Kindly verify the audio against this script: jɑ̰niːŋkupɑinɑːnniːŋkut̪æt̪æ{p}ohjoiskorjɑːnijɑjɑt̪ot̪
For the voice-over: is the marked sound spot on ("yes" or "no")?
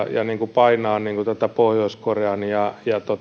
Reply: yes